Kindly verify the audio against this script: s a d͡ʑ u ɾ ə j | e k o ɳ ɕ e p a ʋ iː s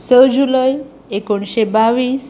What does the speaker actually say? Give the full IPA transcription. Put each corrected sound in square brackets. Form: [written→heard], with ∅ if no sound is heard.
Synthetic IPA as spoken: s [a→ə] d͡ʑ u [ɾ→l] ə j | e k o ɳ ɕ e [p→b] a ʋ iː s